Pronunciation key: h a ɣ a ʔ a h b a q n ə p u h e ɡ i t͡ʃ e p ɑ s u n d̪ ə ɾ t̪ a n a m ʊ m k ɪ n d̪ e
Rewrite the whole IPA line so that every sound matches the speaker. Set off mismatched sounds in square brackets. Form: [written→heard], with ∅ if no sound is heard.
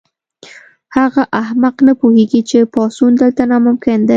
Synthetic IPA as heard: h a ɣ a ʔ a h [b→m] a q n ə p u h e ɡ i t͡ʃ e p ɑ s u n d̪ ə [ɾ→l] t̪ a n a m ʊ m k ɪ n d̪ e